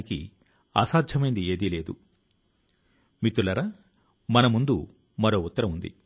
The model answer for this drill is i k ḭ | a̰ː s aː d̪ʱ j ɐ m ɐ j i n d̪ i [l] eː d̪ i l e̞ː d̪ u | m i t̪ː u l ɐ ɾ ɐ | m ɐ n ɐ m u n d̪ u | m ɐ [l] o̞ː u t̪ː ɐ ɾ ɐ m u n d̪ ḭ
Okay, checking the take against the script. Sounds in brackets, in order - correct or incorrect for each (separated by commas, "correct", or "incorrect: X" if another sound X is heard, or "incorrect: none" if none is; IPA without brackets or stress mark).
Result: incorrect: none, incorrect: ɾ